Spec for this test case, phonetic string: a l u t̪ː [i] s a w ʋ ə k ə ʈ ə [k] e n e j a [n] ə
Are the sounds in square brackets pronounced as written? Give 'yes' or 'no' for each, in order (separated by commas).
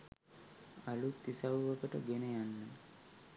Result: yes, no, no